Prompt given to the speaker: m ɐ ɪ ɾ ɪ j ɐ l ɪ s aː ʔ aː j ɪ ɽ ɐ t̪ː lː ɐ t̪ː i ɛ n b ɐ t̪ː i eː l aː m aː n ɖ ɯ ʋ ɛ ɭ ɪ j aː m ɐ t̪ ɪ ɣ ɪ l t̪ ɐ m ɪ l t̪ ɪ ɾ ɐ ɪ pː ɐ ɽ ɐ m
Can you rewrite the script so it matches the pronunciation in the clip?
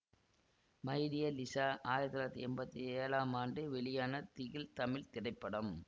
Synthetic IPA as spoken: m ɐ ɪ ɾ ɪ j ɐ l ɪ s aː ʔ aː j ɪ ɾ ɐ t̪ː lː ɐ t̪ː i ɛ m b ɐ t̪ː i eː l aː m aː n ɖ ɯ ʋ ɛ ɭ ɪ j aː n ɐ t̪ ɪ ɣ ɪ l t̪ ɐ m ɪ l t̪ ɪ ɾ ɐ ɪ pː ɐ ɽ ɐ m